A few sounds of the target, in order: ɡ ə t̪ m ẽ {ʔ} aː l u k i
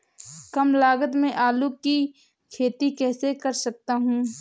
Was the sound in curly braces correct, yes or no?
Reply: yes